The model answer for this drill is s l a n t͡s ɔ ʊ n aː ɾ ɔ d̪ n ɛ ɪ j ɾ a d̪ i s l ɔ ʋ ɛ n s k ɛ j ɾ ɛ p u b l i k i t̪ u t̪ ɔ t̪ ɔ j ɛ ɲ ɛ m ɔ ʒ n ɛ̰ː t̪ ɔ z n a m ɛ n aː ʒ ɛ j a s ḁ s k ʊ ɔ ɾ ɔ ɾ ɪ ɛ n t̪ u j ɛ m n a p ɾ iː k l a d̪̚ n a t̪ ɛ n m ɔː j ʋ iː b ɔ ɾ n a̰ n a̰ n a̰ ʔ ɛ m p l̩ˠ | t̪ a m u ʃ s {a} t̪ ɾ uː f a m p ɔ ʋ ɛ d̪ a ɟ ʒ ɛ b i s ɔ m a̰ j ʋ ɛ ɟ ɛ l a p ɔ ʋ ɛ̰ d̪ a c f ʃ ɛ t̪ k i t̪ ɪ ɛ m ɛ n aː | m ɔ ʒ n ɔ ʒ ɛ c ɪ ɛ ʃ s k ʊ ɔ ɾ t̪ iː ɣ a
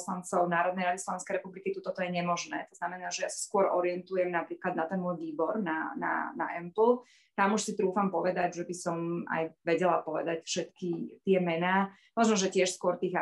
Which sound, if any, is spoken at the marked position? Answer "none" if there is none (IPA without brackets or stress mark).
i